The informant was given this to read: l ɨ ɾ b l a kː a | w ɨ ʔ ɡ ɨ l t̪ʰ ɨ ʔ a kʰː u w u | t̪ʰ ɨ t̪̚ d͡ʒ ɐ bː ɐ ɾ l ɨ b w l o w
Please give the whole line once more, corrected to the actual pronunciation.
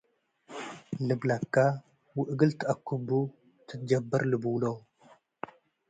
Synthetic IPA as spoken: l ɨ b l a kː a | w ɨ ʔ ɡ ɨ l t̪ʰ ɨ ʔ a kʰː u b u | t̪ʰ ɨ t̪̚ d͡ʒ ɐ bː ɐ ɾ l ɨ b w l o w

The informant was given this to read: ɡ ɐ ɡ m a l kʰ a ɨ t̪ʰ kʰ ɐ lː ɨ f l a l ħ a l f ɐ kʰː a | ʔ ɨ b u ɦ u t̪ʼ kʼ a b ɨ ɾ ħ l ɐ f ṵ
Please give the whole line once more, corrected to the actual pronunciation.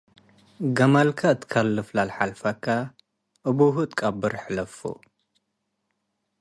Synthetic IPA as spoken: ɡ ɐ m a l kʰ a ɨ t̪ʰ kʰ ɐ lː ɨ f l a l ħ a l f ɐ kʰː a | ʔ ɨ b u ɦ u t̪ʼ kʼ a b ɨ ɾ ħ l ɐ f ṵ

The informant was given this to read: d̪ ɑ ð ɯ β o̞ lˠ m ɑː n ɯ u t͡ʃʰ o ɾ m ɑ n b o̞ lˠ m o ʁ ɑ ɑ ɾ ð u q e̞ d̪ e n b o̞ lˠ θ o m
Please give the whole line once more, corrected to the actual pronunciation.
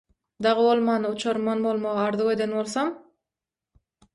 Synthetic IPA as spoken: d̪ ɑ ʁ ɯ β o̞ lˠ m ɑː n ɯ u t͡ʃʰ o ɾ m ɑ n b o̞ lˠ m o ʁ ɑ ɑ ɾ ð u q e̞ d̪ e n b o̞ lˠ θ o m

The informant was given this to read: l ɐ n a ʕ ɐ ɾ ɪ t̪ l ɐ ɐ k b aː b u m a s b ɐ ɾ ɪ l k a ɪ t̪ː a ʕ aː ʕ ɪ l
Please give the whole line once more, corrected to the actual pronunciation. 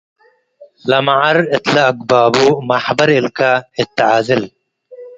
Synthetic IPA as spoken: l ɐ m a ʕ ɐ ɾ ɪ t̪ l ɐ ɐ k b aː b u m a ħ b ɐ ɾ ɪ l k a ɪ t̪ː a ʕ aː z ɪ l

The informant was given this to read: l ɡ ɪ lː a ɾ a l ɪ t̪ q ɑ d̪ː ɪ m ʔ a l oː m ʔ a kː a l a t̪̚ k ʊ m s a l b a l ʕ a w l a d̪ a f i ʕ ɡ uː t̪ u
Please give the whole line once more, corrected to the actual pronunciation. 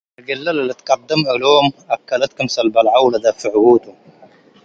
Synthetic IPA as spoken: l ɡ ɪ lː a l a l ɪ t̪ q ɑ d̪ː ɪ m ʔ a l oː m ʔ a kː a l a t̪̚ k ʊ m s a l b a l ʕ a w l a d̪ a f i ʕ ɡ uː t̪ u

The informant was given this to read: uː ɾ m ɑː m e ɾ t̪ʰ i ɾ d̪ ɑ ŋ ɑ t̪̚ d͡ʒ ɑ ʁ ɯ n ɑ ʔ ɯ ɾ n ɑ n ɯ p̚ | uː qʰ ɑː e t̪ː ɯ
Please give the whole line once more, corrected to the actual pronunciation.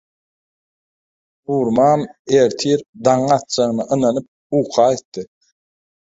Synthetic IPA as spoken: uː ɾ m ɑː m e ɾ t̪ʰ i ɾ d̪ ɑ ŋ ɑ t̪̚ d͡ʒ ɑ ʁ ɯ n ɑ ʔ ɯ n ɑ n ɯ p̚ | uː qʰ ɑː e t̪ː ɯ

